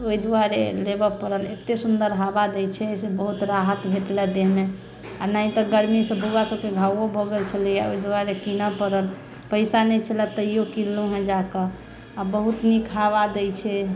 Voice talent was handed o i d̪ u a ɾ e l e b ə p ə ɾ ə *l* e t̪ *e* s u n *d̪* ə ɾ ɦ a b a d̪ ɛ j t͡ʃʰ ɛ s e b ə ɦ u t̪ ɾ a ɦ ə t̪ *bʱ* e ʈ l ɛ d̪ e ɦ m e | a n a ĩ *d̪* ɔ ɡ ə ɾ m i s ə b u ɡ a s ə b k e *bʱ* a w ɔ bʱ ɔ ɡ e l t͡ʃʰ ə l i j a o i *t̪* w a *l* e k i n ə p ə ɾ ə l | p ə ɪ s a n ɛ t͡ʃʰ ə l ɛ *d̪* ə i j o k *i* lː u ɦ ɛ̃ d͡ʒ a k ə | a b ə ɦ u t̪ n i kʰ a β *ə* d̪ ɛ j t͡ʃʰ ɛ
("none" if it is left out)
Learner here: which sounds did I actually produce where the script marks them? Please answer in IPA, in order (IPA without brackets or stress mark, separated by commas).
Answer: l, e, d̪, bʱ, t̪, ɡʱ, d̪, ɾ, t̪, i, a